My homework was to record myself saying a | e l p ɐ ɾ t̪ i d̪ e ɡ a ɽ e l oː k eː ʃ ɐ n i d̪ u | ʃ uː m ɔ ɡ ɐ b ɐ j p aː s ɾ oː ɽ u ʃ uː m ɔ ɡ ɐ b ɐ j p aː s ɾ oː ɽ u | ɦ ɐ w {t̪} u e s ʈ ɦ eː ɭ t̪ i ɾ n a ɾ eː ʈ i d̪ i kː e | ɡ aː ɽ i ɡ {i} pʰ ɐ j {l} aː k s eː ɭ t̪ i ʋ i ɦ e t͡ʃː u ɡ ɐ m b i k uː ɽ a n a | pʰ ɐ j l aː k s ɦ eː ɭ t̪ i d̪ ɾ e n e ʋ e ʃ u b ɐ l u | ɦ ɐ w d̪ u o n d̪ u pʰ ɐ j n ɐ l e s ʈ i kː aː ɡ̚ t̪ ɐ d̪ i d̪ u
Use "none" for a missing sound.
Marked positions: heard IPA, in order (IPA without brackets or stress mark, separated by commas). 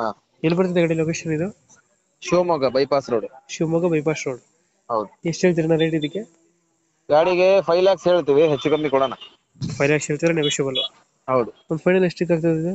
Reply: d̪, e, l